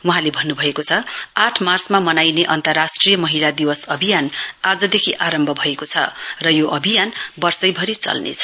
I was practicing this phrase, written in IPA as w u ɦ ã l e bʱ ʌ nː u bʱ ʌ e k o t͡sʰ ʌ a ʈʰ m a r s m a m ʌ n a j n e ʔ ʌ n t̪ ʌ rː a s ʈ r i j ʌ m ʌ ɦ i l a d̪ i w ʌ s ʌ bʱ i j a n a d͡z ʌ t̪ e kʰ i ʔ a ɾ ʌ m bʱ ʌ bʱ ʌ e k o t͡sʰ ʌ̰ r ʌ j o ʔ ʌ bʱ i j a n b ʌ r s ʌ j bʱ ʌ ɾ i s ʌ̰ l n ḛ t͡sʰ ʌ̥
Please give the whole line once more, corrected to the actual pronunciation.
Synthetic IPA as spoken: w u ɦ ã l e bʱ ʌ nː u bʱ ʌ e k o t͡sʰ ʌ a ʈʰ m a r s m a m ʌ n a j n e ʔ ʌ n t̪ ʌ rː a s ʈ r i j ʌ m ʌ ɦ i l a d̪ i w ʌ s ʌ bʱ i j a n a d͡z ʌ d̪ e kʰ i ʔ a ɾ ʌ m bʱ ʌ bʱ ʌ e k o t͡sʰ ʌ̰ r ʌ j o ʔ ʌ bʱ i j a n b ʌ r s ʌ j bʱ ʌ ɾ i t͡s ʌ̰ l n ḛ t͡sʰ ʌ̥

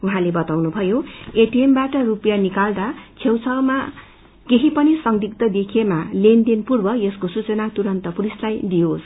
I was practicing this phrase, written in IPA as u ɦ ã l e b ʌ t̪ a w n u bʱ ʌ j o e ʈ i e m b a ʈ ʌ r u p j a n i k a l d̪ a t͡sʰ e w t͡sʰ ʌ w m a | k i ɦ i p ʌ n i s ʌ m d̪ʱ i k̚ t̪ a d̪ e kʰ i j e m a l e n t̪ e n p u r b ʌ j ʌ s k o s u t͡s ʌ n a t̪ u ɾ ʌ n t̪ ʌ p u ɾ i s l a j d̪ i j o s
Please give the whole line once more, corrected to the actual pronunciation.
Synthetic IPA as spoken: u ɦ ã l e b ʌ t̪ a w n u bʱ ʌ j o e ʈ i e m b a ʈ ʌ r u p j a n i k a l d̪ a t͡sʰ e w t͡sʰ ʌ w m a | k e ɦ i p ʌ n i s ʌ ŋ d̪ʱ i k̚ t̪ ʌ d̪ e kʰ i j e m a l e n d̪ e n p u r b ʌ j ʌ s k o s u t͡s ʌ n a t̪ u ɾ ʌ n t̪ ʌ p u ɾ i s l a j d̪ i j o s

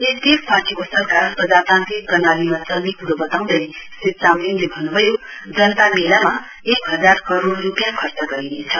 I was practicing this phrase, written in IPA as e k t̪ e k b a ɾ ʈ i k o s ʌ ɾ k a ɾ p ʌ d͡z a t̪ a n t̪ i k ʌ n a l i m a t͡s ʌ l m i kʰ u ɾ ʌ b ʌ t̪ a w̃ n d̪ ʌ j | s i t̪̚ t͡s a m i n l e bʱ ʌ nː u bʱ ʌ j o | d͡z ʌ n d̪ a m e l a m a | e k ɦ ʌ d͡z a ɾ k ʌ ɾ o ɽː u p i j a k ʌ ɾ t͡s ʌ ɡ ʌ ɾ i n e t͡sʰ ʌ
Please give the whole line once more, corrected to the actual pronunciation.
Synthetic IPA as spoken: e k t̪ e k p a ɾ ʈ i k o s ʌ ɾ k a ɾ p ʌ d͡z a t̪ a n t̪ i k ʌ n a l i m a t͡s ʌ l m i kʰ u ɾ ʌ b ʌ t̪ a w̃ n d̪ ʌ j | s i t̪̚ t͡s a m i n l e bʱ ʌ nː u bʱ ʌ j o | d͡z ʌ n t̪ a m e l a m a | e k ɦ ʌ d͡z a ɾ k ʌ ɾ o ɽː u p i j a kʰ ʌ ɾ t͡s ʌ ɡ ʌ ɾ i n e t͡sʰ ʌ

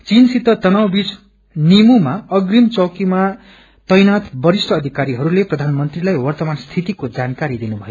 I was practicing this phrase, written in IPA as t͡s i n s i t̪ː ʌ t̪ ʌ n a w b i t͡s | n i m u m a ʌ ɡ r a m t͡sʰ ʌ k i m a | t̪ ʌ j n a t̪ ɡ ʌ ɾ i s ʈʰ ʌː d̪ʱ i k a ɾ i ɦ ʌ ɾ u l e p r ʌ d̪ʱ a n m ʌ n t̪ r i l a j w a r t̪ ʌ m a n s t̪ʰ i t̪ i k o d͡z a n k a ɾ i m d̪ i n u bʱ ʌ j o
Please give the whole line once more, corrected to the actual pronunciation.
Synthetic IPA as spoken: t͡s i n s i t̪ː ʌ t̪ ʌ n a w b i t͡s | n i m u m a ʌ ɡ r i m t͡s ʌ k i m a | t̪ ʌ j n a t̪ b ʌ ɾ i s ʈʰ ʌː d̪ʱ i k a ɾ i ɦ ʌ ɾ u l e p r ʌ d̪ʱ a n m ʌ n t̪ r i l a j w ʌ r t̪ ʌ m a n s t̪ʰ i t̪ i k o d͡z a n k a ɾ i d̪ i n u bʱ ʌ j o

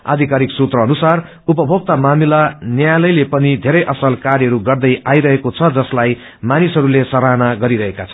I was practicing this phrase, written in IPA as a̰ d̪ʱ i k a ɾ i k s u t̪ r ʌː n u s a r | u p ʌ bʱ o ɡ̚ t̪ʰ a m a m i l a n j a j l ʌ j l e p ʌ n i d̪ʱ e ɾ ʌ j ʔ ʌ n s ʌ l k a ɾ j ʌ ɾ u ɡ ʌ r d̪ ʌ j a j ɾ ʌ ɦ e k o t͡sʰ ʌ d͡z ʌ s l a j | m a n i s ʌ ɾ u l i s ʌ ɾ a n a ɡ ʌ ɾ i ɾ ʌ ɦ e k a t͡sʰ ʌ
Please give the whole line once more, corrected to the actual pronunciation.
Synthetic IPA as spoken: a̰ d̪ʱ i k a ɾ i k s u t̪ r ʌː n u s a r | u p ʌ bʱ o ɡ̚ t̪ a m a m i l a n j a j l ʌ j l e p ʌ n i d̪ʱ e ɾ ʌ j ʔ ʌ s ʌ l k a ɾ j ʌ ɾ u ɡ ʌ r d̪ ʌ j a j ɾ ʌ ɦ e k o t͡sʰ ʌ d͡z ʌ s l a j | m a n i s ʌ ɾ u l e s ʌ ɾ a n a ɡ ʌ ɾ i ɾ ʌ ɦ e k a t͡sʰ ʌ

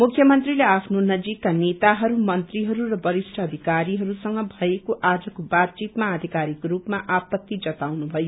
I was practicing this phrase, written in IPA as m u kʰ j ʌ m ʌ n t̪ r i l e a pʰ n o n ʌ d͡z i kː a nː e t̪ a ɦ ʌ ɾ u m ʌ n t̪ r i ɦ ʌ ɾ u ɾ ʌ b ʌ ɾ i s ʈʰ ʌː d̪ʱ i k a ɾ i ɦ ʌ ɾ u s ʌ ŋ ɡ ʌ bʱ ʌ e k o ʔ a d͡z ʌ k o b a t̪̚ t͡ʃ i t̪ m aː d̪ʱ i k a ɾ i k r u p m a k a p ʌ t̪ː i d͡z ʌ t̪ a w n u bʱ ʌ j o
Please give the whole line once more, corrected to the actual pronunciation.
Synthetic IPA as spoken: m u kʰ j ʌ m ʌ n t̪ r i l e a pʰ n o n ʌ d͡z i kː a n e t̪ a ɦ ʌ ɾ u m ʌ n t̪ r i ɦ ʌ ɾ u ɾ ʌ b ʌ ɾ i s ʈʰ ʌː d̪ʱ i k a ɾ i ɦ ʌ ɾ u s ʌ ŋ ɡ ʌ bʱ ʌ e k o ʔ a d͡z ʌ k o b a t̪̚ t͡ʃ i t̪ m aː d̪ʱ i k a ɾ i k r u p m a ʔ a p ʌ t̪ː i d͡z ʌ t̪ a w n u bʱ ʌ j o

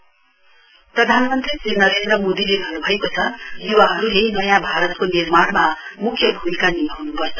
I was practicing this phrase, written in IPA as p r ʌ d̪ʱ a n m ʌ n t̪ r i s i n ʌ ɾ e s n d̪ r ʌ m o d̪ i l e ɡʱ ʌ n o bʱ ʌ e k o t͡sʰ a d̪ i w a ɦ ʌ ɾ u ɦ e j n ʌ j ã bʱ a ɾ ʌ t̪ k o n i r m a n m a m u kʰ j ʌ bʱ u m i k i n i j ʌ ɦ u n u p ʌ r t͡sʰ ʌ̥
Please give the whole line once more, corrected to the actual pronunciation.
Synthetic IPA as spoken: p r ʌ d̪ʱ a n m ʌ n t̪ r i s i n ʌ ɾ e n d̪ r ʌ m o d̪ i l e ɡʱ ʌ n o bʱ ʌ e k o t͡sʰ ʌ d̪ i w a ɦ ʌ ɾ u ɦ e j n ʌ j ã bʱ a ɾ ʌ t̪ k o n i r m a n m a m u kʰ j ʌ bʱ u m i k a n i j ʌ ɦ u n u p ʌ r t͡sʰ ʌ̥

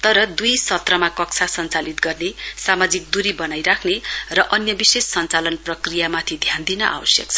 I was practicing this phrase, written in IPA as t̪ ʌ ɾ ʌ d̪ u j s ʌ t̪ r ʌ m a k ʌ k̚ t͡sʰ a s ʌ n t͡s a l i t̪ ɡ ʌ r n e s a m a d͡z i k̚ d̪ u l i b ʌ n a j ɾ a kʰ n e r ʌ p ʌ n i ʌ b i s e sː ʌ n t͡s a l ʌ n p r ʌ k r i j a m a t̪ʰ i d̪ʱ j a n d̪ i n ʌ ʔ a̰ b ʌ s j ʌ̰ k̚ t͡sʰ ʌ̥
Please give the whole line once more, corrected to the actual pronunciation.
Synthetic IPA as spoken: t̪ ʌ ɾ ʌ d̪ u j s ʌ t̪ r ʌ m a k ʌ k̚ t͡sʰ a s ʌ n t͡s a l i t̪ ɡ ʌ r n e s a m a d͡z i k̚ d̪ u ɾ i b ʌ n a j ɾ a kʰ n e r ʌ ʔ ʌ n j ʌ b i s e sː ʌ n t͡s a l ʌ n p r ʌ k r i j a m a t̪ʰ i d̪ʱ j a n d̪ i n ʌ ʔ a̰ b ʌ s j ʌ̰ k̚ t͡sʰ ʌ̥

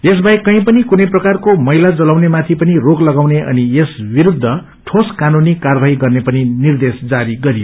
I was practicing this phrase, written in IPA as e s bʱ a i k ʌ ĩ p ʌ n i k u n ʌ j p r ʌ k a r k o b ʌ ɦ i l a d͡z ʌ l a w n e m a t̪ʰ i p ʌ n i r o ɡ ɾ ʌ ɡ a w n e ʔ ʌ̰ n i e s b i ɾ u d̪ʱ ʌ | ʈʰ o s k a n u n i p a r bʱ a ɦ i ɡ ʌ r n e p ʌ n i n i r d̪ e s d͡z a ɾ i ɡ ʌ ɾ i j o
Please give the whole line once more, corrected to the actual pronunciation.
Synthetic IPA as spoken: e s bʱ a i k ʌ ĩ p ʌ n i k u n ʌ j p r ʌ k a r k o m ʌ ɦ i l a d͡z ʌ l a w n e m a t̪ʰ i p ʌ n i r o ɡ l ʌ ɡ a w n e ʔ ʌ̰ n i e s b i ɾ u d̪ʱː ʌ | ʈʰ o s k a n u n i k a r bʱ a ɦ i ɡ ʌ r n e p ʌ n i n i r d̪ e s d͡z a ɾ i ɡ ʌ ɾ i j o

